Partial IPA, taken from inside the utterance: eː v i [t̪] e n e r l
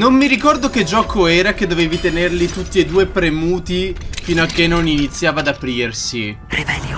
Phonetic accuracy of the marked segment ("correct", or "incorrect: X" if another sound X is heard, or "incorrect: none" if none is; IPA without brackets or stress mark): correct